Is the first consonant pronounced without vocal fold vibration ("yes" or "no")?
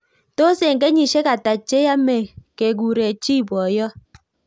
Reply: yes